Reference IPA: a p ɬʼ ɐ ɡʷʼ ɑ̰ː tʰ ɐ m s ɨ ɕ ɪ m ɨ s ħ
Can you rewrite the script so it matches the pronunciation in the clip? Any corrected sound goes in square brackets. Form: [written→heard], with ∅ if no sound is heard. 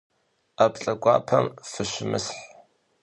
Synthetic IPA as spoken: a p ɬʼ ɐ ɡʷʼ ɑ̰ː [tʰ→pʰ] ɐ m [s→f] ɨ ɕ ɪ m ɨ s ħ